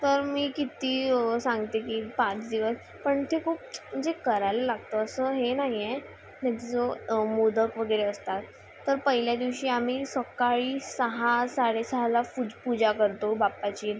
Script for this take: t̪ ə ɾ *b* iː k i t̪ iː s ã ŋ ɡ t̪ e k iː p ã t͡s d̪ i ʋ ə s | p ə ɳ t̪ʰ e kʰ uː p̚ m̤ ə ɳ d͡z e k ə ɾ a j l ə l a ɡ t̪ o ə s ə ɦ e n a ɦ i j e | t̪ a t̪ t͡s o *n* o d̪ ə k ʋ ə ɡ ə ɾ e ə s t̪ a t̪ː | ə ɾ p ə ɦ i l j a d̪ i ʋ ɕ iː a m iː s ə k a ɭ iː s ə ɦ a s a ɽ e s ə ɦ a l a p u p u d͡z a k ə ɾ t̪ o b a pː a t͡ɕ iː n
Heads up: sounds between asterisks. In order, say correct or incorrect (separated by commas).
incorrect, incorrect